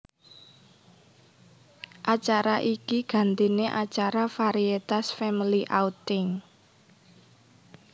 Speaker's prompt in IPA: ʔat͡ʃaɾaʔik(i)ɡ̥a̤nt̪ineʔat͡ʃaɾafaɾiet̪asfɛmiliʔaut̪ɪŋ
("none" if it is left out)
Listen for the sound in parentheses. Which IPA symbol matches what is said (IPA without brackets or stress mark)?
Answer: i